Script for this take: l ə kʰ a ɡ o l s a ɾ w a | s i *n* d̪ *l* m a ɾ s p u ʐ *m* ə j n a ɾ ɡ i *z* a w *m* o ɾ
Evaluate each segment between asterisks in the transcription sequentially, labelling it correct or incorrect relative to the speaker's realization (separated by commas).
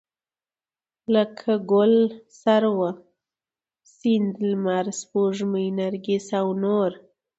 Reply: correct, correct, correct, incorrect, incorrect